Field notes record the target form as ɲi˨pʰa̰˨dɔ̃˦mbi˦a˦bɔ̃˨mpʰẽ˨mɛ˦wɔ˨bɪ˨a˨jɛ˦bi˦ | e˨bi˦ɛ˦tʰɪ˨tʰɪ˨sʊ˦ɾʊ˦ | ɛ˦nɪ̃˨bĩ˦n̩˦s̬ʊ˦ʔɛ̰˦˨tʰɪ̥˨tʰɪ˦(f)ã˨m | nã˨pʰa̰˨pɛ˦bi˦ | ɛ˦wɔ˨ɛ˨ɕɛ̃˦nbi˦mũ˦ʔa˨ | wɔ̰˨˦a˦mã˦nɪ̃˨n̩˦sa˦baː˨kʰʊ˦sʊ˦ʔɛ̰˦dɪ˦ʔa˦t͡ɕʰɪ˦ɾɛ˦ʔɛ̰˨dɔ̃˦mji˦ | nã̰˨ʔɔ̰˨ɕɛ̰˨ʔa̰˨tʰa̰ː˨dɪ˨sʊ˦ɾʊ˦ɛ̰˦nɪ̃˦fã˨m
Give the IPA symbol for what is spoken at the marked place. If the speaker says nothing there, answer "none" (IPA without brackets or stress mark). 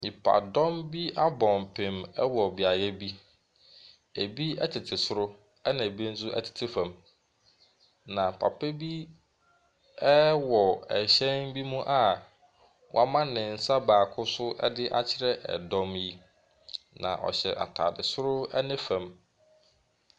f